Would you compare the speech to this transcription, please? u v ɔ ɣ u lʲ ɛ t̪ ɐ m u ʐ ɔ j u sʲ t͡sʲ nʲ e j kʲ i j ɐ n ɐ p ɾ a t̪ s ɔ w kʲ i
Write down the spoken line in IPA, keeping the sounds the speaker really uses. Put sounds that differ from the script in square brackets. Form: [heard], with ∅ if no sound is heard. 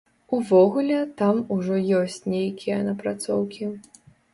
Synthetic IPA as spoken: u v ɔ ɣ u lʲ ɛ t̪ [a] m u ʐ ɔ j [ɔ] sʲ t͡sʲ nʲ e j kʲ i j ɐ n ɐ p ɾ a t̪ s ɔ w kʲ i